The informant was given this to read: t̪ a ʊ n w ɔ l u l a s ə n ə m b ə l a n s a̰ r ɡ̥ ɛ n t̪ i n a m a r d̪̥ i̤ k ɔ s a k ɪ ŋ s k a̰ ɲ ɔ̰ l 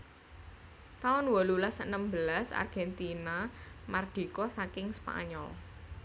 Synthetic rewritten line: t̪ a ʊ n w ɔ l u l a s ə n ə m b ə l a s a̰ r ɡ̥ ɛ n t̪ i n a m a r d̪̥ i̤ k ɔ s a k ɪ ŋ s p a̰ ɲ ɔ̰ l

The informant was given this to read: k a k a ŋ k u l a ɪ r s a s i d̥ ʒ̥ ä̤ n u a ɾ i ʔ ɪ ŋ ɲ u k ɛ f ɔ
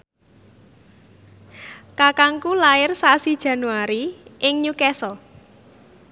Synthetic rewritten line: k a k a ŋ k u l a ɪ r s a s i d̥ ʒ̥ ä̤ n u a ɾ i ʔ ɪ ŋ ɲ u k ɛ s ɔ

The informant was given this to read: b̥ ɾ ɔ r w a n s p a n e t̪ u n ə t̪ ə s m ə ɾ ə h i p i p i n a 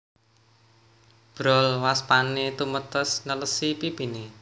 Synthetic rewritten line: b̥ ɾ ɔ l w a s p a n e t̪ u m ə t̪ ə s n ə l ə s i p i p i n e

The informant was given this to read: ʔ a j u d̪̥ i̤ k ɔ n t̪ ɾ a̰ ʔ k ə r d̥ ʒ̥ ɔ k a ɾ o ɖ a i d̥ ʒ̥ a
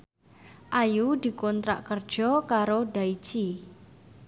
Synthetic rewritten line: ʔ a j u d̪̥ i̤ k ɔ n t̪ ɾ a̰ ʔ k ə r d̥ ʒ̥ ɔ k a ɾ o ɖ a i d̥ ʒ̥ i

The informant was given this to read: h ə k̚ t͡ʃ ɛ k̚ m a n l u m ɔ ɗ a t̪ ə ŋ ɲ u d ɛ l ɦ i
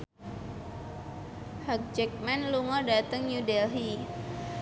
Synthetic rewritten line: h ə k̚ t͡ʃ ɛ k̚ m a n l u ŋ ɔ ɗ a t̪ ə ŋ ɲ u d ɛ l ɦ i

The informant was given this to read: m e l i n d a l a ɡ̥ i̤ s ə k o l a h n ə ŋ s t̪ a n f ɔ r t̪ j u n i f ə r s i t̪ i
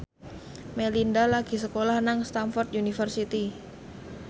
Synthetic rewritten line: m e l i n d a l a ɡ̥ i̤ s ə k o l a h n a ŋ s t̪ a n f ɔ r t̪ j u n i f ə r s i t̪ i

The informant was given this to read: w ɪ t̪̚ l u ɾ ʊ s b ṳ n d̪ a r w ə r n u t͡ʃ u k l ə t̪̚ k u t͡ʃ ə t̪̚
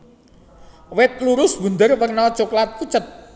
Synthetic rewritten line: w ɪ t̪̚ l u ɾ ʊ s b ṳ n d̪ ə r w ə r n ɔ t͡ʃ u k l a t̪̚ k u t͡ʃ ə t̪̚

